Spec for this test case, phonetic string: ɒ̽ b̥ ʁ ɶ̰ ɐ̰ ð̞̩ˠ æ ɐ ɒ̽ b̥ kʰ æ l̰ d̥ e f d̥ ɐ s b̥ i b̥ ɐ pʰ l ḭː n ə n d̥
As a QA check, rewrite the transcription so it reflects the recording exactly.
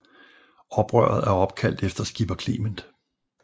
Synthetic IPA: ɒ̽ b̥ ʁ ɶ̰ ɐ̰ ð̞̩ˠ æ ɐ ɒ̽ b̥ kʰ æ l̰ d̥ e f d̥ ɐ s ɡ̥ i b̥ ɐ kʰ l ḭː m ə n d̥